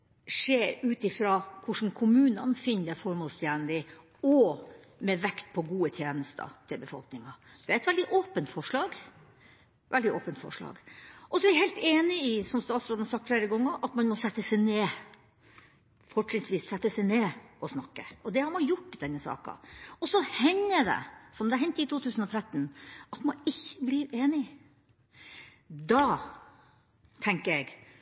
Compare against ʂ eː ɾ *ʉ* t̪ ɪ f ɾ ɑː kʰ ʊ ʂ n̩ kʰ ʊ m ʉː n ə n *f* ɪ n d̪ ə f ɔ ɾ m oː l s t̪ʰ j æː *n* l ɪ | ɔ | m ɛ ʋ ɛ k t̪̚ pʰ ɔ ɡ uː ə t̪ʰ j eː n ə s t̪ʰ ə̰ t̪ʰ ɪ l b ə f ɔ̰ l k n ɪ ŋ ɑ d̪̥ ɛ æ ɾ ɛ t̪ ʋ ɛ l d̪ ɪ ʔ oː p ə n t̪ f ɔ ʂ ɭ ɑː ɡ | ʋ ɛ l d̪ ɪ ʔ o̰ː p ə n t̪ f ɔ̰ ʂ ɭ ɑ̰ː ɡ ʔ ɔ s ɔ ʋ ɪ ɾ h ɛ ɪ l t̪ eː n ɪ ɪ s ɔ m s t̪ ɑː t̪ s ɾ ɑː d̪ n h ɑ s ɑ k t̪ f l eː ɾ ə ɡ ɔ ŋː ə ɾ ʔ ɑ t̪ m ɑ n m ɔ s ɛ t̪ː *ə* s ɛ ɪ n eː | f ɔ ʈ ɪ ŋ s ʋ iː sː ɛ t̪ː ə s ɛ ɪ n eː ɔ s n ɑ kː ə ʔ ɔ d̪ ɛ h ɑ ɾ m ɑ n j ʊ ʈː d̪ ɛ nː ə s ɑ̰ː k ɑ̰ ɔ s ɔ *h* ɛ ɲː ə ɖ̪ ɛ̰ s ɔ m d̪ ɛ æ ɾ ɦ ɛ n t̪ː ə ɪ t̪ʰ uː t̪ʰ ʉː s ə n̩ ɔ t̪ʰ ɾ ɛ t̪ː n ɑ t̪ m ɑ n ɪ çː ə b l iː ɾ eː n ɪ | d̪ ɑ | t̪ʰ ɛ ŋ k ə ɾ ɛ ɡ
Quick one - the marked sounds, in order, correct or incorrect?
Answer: incorrect, correct, correct, correct, correct

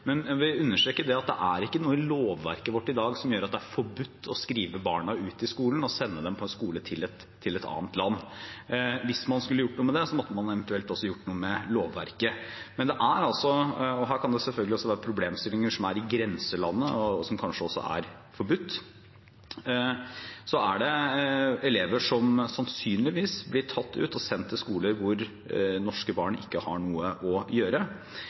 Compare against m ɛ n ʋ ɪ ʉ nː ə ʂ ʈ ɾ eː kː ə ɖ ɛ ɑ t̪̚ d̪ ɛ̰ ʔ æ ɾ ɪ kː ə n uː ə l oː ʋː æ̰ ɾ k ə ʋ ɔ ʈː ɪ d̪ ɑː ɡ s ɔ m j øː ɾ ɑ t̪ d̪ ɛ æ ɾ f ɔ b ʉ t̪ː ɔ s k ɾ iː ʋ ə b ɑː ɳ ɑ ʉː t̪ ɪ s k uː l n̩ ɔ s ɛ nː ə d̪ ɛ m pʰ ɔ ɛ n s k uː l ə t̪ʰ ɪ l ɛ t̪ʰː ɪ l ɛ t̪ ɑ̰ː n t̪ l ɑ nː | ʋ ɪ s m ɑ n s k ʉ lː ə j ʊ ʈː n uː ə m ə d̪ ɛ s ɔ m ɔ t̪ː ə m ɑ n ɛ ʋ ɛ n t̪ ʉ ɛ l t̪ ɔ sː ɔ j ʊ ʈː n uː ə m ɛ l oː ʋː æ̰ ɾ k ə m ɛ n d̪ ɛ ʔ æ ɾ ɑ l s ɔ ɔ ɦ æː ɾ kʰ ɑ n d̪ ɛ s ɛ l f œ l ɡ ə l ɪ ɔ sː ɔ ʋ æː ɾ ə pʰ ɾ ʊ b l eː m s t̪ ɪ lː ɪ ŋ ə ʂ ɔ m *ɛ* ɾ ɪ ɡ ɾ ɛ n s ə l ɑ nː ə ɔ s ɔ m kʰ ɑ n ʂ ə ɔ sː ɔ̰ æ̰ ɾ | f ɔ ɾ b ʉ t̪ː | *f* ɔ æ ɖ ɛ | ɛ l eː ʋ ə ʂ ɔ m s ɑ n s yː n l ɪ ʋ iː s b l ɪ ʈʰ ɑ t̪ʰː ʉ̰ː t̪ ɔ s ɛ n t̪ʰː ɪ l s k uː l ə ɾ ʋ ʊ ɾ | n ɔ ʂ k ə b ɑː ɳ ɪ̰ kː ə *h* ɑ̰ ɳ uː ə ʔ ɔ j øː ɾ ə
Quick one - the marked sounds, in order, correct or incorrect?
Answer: incorrect, incorrect, correct

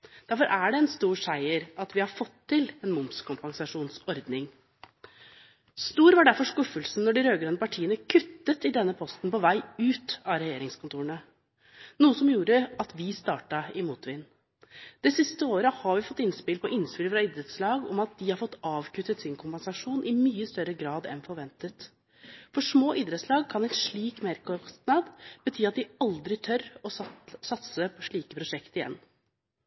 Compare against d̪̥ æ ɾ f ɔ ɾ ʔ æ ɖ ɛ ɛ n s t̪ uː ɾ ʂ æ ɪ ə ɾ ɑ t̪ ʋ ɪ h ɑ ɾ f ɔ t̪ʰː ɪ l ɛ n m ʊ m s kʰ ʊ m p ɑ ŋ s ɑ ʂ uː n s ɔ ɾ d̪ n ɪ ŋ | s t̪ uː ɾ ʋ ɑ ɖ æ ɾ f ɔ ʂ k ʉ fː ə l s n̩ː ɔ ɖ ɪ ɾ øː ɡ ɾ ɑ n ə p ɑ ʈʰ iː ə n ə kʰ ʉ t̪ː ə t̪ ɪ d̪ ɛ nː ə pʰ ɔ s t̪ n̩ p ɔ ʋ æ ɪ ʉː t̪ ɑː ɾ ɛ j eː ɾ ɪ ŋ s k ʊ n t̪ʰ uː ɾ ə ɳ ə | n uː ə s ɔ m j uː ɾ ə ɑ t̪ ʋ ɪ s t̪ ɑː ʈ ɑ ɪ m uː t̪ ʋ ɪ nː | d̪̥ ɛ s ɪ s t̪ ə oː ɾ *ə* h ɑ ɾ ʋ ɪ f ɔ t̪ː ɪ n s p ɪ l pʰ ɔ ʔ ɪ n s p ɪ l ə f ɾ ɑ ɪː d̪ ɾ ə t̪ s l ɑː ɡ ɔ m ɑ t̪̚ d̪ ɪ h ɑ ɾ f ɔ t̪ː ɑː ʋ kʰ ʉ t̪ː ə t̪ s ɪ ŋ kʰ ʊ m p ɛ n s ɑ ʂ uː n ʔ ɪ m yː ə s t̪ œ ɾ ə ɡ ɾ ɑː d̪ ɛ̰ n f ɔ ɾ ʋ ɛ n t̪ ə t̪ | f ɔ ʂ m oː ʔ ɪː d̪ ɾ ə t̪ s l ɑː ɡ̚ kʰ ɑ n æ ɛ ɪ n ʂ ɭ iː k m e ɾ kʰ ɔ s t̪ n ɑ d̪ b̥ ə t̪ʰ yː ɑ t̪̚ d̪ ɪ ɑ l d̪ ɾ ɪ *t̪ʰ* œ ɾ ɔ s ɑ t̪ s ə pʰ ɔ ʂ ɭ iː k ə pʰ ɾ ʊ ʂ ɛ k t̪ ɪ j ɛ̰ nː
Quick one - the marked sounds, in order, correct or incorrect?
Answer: correct, correct

